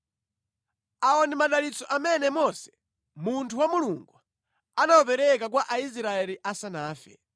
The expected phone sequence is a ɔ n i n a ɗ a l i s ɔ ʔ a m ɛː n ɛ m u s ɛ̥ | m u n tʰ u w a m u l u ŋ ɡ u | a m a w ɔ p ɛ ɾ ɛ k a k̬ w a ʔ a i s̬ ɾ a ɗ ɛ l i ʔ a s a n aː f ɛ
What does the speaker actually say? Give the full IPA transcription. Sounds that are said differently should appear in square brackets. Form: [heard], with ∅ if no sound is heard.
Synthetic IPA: a ɔ n i [m] a ɗ a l i [t͡s] ɔ ʔ a m [ɛ] n ɛ m [ɔ] s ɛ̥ | m u n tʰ u w a m u l u ŋ ɡ u | a [n] a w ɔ p ɛ ɾ ɛ k a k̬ w a ʔ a i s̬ ɾ a [∅] ɛ l i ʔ a s a n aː f ɛ